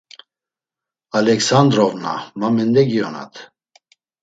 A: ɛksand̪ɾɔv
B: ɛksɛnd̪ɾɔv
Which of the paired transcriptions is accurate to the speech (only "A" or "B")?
A